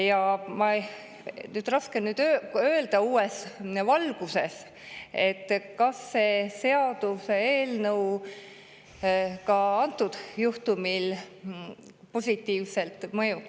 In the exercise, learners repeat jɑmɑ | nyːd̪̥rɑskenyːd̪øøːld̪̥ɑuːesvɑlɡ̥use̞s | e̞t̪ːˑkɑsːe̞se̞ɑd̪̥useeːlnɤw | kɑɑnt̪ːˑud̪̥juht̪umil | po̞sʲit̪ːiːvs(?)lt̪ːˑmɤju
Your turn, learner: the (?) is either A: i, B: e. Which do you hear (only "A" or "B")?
B